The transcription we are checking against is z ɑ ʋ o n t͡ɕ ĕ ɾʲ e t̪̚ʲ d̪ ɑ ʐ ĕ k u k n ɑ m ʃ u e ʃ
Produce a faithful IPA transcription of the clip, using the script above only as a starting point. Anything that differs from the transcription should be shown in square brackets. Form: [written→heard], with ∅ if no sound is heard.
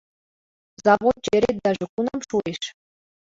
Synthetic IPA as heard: z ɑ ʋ o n t͡ɕ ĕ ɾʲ e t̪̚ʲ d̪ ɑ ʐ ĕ k u [k→∅] n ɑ m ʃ u e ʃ